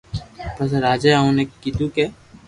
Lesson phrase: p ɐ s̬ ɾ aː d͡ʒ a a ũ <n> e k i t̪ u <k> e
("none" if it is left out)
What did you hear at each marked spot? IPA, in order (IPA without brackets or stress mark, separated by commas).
n, k